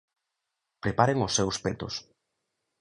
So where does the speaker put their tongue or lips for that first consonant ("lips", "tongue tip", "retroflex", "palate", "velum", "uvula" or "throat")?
lips